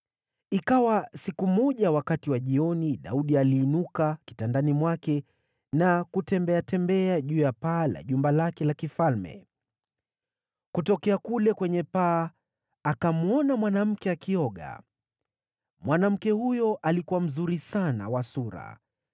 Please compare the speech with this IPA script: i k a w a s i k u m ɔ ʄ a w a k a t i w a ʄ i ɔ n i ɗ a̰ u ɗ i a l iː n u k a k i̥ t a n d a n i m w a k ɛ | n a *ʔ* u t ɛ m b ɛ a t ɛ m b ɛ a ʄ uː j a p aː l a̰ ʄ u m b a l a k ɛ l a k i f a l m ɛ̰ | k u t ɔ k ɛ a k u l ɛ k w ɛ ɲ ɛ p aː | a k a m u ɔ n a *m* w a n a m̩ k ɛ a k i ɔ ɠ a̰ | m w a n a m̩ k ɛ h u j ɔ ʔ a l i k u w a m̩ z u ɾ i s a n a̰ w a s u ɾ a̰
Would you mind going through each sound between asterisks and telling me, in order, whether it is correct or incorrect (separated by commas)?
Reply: incorrect, correct